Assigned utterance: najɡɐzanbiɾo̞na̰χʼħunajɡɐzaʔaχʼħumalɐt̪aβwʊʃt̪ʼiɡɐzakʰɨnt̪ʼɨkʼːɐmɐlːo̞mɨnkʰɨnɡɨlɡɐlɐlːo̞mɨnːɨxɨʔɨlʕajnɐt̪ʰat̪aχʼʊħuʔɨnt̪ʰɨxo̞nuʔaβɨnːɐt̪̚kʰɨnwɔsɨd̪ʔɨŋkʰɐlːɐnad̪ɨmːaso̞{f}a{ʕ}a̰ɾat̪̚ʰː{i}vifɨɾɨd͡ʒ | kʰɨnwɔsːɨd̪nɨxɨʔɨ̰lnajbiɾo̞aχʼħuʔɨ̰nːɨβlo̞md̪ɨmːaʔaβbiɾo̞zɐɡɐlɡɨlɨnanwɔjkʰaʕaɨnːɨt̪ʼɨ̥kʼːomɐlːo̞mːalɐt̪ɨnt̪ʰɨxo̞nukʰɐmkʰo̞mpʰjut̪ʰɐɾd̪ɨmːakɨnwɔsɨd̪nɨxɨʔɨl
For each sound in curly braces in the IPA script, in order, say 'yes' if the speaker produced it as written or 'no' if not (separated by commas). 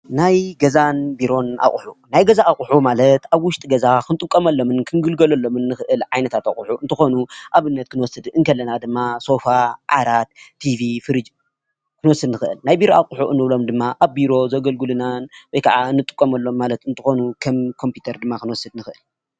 yes, yes, yes